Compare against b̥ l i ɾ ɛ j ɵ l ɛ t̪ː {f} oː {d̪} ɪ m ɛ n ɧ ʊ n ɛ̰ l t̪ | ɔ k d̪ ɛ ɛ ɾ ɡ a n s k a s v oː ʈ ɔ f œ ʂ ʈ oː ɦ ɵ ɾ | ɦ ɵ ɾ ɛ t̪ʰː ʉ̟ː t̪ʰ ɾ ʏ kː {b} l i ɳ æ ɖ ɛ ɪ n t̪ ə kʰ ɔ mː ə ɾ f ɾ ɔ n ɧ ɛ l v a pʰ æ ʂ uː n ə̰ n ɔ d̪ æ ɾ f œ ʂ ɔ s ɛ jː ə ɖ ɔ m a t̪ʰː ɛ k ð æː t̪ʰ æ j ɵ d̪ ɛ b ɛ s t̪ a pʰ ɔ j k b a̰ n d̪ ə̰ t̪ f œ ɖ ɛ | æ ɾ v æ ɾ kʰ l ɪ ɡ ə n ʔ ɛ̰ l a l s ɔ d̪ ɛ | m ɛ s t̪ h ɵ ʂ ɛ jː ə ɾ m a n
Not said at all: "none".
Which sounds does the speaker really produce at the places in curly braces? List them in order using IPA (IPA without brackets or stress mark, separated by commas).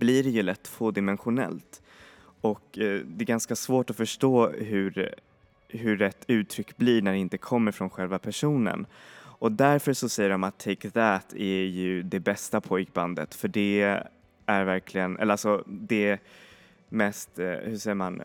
f, d̪, b